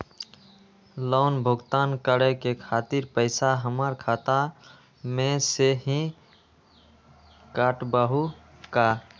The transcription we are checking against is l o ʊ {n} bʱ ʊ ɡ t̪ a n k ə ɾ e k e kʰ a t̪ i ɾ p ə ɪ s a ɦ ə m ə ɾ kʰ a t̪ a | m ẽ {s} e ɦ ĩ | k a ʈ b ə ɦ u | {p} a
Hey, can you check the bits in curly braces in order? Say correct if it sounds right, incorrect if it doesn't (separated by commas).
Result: correct, correct, incorrect